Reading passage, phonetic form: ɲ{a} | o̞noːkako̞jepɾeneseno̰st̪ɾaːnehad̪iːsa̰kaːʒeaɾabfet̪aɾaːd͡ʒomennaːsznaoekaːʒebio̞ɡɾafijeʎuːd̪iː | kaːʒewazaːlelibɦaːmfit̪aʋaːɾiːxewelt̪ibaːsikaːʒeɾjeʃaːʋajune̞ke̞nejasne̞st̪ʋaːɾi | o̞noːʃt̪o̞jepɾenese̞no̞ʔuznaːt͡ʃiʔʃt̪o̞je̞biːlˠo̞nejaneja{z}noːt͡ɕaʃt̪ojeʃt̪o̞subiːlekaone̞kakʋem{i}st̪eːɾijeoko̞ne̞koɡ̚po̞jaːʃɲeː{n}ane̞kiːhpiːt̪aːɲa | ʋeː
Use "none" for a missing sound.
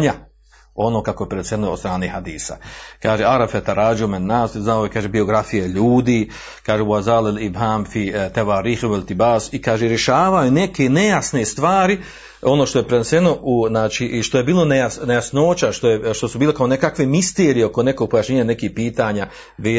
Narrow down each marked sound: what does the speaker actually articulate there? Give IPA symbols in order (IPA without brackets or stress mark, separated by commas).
a, s, i, ɲ